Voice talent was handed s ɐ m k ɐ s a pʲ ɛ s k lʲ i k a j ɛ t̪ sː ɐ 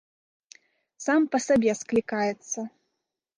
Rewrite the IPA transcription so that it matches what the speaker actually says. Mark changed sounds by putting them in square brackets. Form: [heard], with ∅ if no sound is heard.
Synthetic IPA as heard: s [a] m [p] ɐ s a [bʲ] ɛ s k lʲ i k a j ɛ t̪ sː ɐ